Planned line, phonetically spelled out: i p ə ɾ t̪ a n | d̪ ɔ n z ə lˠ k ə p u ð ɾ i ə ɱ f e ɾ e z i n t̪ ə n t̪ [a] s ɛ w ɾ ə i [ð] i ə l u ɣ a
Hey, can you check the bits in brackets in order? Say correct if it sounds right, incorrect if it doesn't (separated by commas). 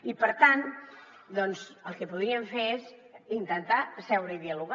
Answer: correct, correct